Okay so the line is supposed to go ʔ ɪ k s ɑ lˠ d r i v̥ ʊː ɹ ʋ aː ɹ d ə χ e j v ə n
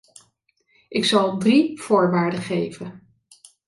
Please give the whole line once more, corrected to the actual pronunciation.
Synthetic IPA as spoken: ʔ ɪ k s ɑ lˠ d r i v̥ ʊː ɹ ʋ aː ɹ d ə χ e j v ə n